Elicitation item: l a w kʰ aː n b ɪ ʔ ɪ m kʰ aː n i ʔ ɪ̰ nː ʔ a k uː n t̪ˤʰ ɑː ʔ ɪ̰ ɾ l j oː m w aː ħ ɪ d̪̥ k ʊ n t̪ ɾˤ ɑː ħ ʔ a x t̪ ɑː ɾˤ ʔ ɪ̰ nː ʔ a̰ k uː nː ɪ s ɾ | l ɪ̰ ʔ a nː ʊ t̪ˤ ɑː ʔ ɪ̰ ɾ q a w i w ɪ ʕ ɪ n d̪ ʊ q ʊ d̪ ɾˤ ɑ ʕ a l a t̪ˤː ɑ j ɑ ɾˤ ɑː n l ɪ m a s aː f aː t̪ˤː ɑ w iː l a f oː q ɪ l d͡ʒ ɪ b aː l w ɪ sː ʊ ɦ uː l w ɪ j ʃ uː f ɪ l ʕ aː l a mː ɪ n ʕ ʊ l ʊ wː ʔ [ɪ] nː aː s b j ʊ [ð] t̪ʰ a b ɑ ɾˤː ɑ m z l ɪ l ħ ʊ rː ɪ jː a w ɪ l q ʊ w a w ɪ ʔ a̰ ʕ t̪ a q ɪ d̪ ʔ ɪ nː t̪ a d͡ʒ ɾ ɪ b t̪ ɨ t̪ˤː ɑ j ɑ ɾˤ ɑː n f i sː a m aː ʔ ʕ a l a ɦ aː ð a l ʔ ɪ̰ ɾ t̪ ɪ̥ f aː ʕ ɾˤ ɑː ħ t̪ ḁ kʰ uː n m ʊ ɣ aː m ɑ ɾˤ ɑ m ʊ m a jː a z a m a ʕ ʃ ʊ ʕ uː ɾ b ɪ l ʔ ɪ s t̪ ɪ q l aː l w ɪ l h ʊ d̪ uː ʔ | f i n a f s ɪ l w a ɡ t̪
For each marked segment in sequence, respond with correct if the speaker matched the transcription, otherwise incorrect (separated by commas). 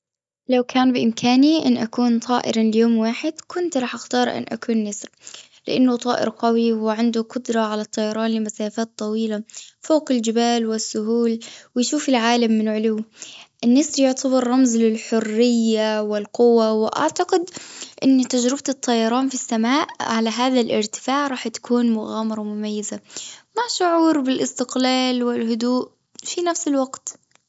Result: correct, incorrect